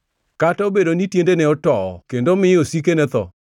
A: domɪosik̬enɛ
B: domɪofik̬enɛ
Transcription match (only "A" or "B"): A